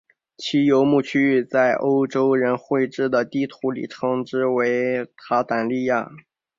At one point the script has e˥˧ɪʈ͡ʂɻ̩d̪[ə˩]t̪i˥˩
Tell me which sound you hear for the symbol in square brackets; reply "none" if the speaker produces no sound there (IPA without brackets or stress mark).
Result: ə˩